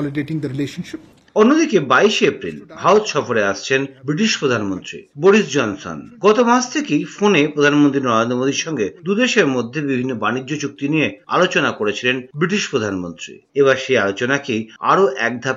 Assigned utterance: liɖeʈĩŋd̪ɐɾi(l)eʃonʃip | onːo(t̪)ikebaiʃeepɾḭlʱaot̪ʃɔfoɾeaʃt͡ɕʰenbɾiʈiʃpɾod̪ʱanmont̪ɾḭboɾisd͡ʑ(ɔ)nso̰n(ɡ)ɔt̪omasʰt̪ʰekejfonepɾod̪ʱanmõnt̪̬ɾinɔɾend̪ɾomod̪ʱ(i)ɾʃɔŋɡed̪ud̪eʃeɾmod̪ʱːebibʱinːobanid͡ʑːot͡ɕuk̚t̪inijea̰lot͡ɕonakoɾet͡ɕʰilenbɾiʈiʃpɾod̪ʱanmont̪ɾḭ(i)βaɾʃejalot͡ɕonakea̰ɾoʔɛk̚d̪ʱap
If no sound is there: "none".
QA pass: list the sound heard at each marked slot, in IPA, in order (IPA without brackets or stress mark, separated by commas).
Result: l, d̪, ɔ, ɡ, i, e